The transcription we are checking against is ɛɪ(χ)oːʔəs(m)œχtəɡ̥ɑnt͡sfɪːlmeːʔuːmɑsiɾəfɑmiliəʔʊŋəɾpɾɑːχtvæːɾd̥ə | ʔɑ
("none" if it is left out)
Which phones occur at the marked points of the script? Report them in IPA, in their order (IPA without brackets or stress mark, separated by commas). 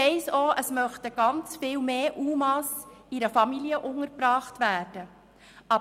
s, m